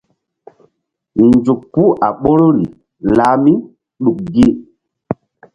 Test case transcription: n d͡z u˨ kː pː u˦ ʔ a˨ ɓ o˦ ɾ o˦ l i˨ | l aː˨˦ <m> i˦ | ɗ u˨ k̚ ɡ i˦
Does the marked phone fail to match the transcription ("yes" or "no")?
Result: no